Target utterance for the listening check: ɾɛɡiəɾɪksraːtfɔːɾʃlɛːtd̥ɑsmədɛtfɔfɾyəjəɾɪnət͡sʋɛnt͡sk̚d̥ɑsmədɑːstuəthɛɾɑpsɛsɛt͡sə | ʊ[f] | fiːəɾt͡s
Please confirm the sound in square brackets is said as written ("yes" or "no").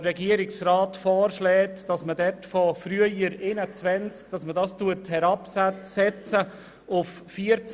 yes